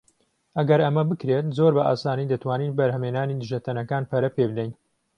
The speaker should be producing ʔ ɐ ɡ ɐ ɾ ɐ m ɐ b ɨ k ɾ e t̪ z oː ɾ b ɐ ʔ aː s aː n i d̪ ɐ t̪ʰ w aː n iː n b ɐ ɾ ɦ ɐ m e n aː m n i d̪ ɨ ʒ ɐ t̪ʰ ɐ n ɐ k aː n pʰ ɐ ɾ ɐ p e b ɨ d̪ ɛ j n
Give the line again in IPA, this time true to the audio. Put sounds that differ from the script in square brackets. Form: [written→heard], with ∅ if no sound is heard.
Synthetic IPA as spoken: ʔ ɐ ɡ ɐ ɾ ɐ m ɐ b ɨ k ɾ e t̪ z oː ɾ b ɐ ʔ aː s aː n i d̪ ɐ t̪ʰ w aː n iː n b ɐ ɾ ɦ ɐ m e n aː [m→∅] n i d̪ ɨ ʒ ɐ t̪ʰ ɐ n ɐ k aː n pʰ ɐ ɾ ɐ p e b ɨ d̪ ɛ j n